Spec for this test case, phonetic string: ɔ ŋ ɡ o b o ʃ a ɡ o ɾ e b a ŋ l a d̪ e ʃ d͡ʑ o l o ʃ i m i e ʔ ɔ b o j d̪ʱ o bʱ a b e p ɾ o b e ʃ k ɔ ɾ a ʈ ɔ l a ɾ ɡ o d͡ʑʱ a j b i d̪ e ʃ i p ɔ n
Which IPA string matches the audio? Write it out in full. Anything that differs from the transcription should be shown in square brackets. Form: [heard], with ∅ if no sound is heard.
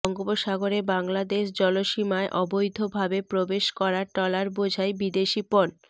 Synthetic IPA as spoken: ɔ ŋ ɡ o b o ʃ a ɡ o ɾ e b a ŋ l a d̪ e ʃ d͡ʑ [ɔ] l o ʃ i m [a] e ʔ ɔ b o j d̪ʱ o bʱ a b e p ɾ o b e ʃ k ɔ ɾ a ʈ ɔ l a ɾ [b] o d͡ʑʱ a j b i d̪ e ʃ i p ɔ n